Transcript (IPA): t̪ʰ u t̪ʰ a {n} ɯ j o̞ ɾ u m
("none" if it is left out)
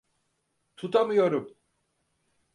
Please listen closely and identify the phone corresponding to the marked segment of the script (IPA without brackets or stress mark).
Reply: m